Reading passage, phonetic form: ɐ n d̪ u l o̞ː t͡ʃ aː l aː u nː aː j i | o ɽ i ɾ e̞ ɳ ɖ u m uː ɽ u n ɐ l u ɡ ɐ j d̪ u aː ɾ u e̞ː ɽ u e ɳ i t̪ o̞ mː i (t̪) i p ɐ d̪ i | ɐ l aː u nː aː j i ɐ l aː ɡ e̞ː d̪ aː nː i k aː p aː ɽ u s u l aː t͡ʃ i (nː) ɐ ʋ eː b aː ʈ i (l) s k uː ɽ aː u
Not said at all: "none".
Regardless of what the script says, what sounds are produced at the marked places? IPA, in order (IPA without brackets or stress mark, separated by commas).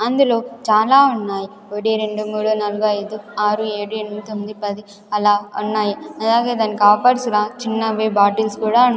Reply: d̪, nː, l